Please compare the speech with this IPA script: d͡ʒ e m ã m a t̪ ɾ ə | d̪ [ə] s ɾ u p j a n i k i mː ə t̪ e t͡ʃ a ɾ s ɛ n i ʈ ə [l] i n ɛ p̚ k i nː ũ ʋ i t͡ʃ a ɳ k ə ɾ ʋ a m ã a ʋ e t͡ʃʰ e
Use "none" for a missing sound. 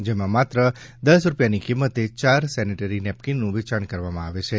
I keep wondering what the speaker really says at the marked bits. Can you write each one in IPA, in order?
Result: ə, ɾ

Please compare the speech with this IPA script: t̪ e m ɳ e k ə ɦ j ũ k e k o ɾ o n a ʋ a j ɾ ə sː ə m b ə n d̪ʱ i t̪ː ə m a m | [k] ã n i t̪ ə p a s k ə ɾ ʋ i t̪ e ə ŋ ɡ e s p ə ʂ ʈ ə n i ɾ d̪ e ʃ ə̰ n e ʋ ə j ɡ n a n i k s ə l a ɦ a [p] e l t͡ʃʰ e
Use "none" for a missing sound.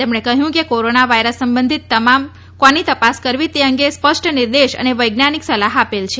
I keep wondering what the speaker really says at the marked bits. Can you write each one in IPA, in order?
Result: k, p

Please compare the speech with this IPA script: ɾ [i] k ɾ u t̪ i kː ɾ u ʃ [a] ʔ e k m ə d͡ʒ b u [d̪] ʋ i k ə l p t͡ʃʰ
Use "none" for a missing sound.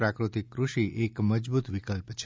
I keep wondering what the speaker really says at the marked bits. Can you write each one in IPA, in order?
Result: a, i, t̪

